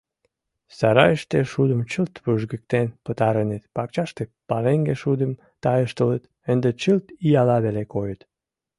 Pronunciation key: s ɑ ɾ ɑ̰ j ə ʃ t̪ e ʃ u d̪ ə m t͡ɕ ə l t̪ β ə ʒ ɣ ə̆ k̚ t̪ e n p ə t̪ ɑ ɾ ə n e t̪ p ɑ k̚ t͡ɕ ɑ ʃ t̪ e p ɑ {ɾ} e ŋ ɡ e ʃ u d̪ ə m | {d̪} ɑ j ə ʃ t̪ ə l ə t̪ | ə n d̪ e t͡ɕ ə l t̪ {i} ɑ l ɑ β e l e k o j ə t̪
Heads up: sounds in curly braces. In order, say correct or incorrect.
incorrect: l, incorrect: t̪, correct

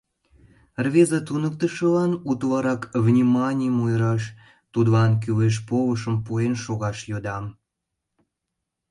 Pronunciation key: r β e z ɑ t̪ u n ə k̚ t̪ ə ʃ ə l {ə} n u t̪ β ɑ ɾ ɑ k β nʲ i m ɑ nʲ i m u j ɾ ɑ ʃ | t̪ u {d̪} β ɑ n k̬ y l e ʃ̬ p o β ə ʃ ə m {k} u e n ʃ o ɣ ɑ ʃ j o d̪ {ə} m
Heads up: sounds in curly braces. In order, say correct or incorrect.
incorrect: ɑ, correct, incorrect: p, incorrect: ɑ

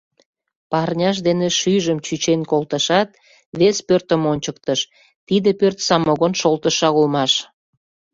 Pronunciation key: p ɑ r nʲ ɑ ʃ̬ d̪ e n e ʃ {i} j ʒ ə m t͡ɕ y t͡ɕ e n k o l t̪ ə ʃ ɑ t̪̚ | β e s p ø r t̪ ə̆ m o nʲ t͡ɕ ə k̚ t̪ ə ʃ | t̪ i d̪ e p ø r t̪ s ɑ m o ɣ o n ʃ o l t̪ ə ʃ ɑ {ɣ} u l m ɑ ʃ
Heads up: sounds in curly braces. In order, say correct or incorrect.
incorrect: y, correct

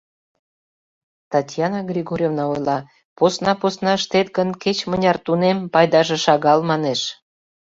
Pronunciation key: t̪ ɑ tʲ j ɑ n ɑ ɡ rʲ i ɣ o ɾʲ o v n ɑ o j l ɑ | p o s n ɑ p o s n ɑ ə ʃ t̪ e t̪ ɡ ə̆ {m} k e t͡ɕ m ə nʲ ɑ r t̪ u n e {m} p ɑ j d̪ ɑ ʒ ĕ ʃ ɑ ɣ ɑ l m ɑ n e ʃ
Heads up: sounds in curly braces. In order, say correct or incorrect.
incorrect: n, correct

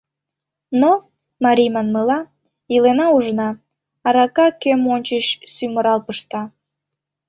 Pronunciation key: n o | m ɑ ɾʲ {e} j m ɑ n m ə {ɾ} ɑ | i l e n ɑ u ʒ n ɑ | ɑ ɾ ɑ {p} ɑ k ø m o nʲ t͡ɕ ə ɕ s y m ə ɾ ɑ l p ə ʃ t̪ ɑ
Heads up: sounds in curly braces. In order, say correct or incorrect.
incorrect: i, incorrect: l, incorrect: k

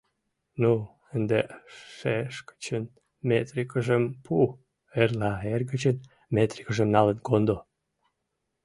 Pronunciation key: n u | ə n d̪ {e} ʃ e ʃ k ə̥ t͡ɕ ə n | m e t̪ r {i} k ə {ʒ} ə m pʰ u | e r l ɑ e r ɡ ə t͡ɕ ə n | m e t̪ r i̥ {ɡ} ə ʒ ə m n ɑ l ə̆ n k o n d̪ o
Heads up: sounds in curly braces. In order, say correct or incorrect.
correct, correct, correct, incorrect: k

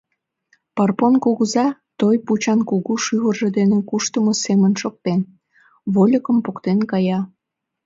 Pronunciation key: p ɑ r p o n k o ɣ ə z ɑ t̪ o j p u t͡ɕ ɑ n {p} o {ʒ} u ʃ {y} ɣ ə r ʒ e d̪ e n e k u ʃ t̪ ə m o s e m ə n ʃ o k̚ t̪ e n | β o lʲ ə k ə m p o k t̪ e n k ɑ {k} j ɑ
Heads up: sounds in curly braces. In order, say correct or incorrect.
incorrect: k, incorrect: ɣ, correct, incorrect: none

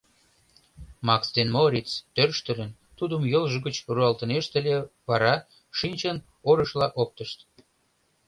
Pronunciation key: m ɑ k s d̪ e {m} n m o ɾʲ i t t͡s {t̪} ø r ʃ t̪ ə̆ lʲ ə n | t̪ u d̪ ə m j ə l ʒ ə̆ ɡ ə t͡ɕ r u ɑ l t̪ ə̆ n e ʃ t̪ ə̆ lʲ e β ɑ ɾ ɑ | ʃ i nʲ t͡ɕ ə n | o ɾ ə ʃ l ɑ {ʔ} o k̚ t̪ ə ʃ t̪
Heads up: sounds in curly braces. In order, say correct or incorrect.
incorrect: none, correct, correct

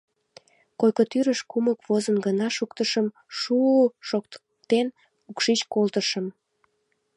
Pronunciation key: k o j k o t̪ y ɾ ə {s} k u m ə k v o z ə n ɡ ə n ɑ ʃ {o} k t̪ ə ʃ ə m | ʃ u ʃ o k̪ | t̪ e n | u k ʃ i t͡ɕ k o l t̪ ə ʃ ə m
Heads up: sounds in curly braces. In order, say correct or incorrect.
incorrect: ʃ, incorrect: u

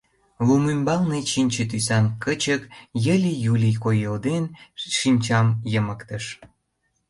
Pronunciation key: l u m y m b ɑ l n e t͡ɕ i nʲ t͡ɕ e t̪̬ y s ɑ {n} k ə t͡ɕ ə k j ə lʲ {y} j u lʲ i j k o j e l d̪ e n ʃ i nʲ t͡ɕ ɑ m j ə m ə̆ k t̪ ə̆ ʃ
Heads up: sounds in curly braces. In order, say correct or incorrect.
correct, incorrect: i

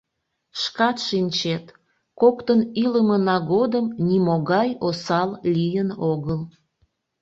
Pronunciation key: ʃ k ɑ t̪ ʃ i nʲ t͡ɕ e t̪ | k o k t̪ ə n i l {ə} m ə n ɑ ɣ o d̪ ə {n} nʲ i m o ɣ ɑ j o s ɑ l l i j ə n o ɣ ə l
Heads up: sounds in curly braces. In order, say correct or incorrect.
correct, incorrect: m

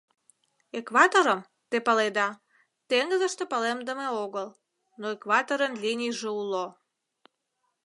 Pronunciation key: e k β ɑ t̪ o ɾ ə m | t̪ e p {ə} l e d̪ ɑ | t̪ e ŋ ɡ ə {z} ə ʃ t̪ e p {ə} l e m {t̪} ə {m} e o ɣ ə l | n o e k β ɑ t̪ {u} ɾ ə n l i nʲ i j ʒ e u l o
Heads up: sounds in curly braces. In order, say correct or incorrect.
correct, correct, correct, incorrect: d̪, correct, incorrect: o

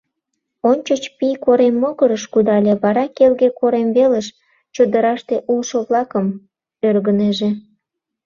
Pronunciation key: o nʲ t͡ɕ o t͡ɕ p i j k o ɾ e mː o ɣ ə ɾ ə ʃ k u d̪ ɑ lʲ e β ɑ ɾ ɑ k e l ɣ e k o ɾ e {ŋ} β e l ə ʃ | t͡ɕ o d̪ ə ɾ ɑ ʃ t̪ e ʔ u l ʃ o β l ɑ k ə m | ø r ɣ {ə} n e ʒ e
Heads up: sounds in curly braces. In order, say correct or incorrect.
incorrect: m, correct

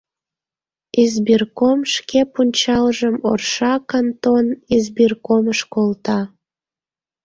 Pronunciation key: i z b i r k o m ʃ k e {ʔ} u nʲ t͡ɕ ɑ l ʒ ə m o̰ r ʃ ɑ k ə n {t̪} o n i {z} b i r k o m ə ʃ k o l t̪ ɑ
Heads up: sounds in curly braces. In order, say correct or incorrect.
incorrect: p, correct, correct

